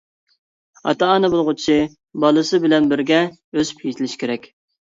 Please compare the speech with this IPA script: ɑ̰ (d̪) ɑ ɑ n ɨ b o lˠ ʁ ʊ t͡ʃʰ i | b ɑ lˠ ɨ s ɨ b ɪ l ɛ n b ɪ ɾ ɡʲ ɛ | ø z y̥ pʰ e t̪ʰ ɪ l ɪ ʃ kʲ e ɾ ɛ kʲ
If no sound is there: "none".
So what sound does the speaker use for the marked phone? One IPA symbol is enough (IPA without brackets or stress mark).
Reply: t̪